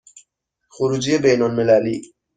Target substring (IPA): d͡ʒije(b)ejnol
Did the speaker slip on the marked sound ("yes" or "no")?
no